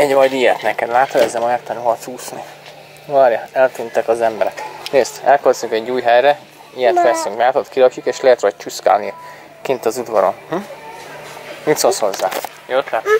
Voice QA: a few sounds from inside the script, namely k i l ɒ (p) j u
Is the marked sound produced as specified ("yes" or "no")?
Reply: no